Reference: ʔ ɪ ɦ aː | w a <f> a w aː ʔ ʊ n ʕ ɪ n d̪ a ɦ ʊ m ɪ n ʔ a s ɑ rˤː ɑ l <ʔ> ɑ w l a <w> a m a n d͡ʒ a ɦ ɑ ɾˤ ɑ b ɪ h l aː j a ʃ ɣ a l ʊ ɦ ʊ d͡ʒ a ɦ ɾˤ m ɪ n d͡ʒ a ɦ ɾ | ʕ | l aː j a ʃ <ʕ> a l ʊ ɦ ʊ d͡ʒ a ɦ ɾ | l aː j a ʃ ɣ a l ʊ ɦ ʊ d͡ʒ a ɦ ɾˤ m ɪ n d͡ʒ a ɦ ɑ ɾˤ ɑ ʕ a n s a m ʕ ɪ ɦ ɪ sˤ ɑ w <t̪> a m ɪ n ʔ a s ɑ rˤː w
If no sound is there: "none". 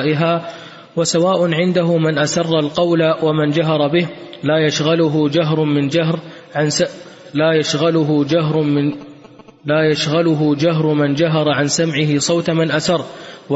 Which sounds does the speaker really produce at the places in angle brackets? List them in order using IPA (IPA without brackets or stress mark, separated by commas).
s, q, w, ɣ, t̪